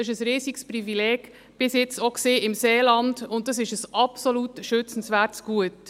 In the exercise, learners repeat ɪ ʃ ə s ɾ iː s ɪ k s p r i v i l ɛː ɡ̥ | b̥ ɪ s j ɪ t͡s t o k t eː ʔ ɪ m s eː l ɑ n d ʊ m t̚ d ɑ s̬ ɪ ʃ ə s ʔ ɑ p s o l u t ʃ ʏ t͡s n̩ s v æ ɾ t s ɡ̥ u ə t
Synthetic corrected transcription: ɪ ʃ ə s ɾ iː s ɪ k s p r i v i l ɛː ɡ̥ | b̥ ɪ s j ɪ t͡s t o k s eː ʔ ɪ m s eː l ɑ n d ʊ n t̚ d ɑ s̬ ɪ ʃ ə s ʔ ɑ p s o l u t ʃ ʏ t͡s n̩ s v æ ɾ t s ɡ̥ u ə t

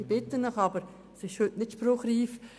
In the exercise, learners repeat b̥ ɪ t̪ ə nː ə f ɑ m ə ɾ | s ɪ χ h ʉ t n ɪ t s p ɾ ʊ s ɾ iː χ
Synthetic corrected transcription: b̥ ɪ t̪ ə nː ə χ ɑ b ə ɾ | s ɪ ʃ h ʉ t n ɪ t ʃ p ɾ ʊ χ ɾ iː f

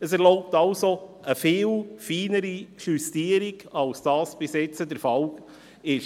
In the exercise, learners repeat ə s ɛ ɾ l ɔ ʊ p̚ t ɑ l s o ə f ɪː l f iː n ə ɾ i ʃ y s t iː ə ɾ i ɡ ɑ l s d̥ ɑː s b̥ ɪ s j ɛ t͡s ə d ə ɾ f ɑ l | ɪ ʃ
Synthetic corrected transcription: ə s ɛ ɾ l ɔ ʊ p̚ t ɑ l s o ə f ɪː l f iː n ə ɾ i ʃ y s t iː ə ɾ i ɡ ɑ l s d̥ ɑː s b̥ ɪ s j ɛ t͡s ə d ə ɾ f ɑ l | ɪ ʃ

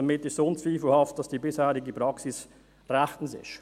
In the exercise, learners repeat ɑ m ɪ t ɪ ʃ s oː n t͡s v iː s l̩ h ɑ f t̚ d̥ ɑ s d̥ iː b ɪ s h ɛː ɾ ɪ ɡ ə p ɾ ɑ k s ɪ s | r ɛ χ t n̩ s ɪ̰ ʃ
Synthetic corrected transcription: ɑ m ɪ t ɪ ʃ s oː n t͡s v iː f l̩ h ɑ f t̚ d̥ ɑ s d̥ iː b ɪ s h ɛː ɾ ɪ ɡ ə p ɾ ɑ k s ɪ s | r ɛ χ t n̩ s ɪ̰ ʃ

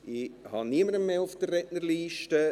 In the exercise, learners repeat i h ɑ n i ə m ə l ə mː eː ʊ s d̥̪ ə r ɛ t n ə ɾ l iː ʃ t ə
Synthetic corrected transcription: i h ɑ n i ə m ə ɾ ə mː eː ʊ f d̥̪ ə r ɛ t n ə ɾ l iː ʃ t ə

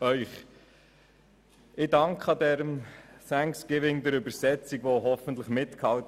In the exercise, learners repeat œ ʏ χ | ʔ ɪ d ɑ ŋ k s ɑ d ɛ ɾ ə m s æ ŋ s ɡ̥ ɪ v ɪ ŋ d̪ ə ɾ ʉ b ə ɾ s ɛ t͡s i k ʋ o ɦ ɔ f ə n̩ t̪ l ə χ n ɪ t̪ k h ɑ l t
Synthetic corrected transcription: œ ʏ χ | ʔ ɪ d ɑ ŋ k χ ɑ d ɛ ɾ ə m s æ ŋ s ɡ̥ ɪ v ɪ ŋ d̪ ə ɾ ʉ b ə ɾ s ɛ t͡s i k ʋ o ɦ ɔ f ə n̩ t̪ l ə χ m ɪ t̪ k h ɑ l t

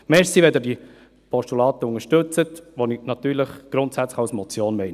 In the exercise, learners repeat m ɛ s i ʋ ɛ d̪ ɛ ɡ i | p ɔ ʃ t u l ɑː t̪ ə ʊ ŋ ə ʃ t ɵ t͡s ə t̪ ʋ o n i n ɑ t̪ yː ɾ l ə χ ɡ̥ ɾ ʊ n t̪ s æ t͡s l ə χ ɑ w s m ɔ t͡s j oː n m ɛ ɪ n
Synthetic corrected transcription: m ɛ s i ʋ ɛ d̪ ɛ d i | p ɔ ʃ t u l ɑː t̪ ə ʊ ŋ ə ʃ t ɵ t͡s ə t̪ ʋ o n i n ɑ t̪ yː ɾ l ə χ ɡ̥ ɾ ʊ n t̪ s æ t͡s l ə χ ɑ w s m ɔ t͡s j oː n m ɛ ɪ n

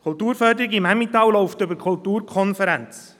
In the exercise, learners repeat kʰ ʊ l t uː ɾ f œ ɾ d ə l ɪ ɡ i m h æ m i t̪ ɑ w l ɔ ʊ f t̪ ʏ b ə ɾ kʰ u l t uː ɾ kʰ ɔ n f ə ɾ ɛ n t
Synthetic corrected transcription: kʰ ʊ l t uː ɾ f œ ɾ d ə ɾ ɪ ɡ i m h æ m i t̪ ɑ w l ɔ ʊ f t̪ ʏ b ə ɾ kʰ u l t uː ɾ kʰ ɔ n f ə ɾ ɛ n t͡s

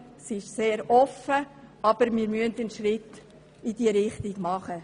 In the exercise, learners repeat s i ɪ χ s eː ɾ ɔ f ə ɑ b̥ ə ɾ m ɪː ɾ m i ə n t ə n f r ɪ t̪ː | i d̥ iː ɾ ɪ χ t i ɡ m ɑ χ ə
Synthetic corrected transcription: s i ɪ ʃ s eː ɾ ɔ f ə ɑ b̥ ə ɾ m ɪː ɾ m y ə n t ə n ʃ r ɪ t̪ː | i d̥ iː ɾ ɪ χ t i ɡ m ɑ χ ə

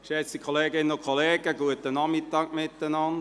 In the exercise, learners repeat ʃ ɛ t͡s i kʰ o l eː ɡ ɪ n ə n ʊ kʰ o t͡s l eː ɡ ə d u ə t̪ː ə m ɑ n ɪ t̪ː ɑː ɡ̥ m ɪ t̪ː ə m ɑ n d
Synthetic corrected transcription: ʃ ɛ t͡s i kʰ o l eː ɡ ɪ n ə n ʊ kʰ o l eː ɡ ə ɡ u ə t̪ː ə n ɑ m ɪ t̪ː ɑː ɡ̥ m ɪ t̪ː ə n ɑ n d

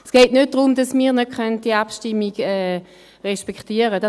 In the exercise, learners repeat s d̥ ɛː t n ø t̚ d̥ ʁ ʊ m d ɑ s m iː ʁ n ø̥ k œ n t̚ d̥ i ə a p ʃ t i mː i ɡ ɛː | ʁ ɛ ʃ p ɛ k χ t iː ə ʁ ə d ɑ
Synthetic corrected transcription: s ɡ̥ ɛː t n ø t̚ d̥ ʁ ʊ m d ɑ s m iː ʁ n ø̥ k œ n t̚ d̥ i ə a p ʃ t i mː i ɡ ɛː | ʁ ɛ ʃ p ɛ k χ t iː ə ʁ ə d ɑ

